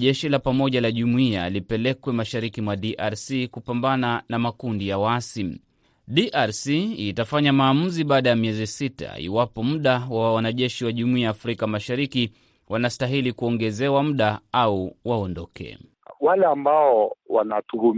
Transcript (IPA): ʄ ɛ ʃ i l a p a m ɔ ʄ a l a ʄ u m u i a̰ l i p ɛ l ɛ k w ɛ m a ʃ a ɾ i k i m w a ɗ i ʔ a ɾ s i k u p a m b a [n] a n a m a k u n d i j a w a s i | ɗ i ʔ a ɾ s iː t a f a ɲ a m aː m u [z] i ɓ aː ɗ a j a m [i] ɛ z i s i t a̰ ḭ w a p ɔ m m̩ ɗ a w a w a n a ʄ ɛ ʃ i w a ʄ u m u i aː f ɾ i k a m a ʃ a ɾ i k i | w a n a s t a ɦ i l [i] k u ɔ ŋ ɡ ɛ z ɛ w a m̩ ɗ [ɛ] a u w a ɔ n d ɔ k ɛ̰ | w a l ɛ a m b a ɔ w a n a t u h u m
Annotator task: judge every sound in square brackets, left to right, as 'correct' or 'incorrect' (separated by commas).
correct, correct, correct, correct, incorrect